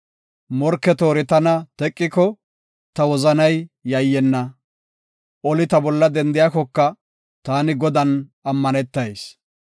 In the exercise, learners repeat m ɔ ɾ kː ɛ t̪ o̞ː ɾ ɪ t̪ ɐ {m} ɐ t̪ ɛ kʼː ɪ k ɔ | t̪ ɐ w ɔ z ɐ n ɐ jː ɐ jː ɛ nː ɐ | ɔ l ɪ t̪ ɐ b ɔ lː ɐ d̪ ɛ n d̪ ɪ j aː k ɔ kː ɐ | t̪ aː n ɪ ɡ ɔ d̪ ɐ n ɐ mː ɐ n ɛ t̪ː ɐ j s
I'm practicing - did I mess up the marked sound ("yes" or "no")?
yes